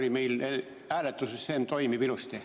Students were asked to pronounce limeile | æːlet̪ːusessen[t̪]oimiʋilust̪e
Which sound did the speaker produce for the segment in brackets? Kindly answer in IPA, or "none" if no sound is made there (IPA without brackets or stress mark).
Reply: t̪